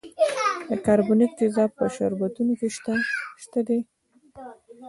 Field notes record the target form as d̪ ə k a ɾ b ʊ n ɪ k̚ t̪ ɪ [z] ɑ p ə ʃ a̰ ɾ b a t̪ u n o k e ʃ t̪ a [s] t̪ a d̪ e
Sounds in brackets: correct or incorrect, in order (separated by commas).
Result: correct, incorrect